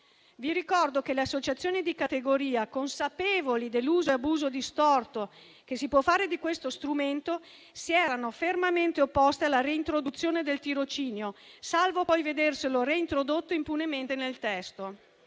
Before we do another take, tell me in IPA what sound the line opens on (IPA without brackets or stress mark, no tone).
v